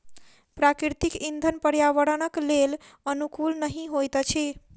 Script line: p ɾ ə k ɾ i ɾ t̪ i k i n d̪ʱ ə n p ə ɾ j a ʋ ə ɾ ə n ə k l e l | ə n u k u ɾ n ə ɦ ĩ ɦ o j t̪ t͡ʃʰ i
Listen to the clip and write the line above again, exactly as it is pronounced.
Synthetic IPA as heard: p ɾ a k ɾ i ɾ t̪ i k i n d̪ʱ ə n p ə ɾ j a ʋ ə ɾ ə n ə k l e l | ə n u k u l n ə ɦ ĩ ɦ o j t̪ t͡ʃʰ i